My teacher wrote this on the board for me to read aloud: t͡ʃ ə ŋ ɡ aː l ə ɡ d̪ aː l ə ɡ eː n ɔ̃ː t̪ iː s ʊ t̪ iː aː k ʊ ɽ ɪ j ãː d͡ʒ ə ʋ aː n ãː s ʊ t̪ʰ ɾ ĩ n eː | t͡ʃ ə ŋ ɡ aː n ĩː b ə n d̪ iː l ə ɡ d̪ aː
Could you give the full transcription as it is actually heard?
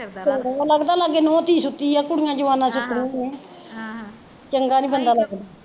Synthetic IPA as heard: t͡ʃ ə ŋ ɡ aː l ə ɡ d̪ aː l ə ɡ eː n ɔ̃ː t̪ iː s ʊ t̪ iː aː k ʊ ɽ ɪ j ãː d͡ʒ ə ʋ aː n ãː s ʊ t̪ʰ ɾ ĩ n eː | t͡ʃ ə ŋ ɡ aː n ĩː b ə n d̪ aː l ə ɡ d̪ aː